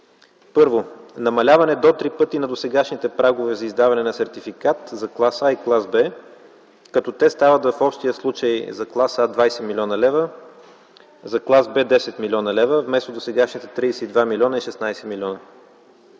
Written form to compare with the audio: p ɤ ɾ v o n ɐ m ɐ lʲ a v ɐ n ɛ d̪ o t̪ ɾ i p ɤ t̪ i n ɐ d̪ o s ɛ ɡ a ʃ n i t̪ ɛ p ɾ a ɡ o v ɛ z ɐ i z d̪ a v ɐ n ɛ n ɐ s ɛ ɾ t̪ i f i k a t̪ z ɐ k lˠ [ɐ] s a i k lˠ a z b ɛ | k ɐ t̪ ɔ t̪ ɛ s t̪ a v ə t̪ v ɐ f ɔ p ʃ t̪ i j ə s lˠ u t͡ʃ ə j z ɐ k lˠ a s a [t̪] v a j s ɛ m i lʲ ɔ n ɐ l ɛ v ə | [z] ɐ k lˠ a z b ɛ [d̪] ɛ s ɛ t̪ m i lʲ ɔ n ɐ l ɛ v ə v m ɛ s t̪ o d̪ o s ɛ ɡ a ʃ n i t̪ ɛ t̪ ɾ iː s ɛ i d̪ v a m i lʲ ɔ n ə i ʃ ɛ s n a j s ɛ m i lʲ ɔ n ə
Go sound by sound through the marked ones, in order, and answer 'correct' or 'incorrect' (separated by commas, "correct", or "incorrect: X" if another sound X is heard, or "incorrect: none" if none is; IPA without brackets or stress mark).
incorrect: a, incorrect: d̪, correct, correct